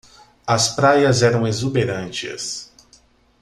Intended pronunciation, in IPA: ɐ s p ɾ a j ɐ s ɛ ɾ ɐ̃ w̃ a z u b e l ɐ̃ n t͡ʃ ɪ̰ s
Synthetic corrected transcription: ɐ s p ɾ a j ɐ z ɛ ɾ ɐ̃ w̃ e z u b e ɾ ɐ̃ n t͡ʃ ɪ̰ s